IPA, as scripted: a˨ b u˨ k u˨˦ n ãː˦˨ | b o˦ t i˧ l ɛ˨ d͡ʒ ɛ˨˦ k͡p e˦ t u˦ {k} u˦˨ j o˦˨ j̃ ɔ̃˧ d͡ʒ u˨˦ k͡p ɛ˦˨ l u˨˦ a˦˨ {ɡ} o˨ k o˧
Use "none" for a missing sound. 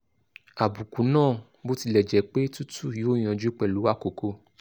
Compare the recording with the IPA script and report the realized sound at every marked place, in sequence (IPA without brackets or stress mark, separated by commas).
t, k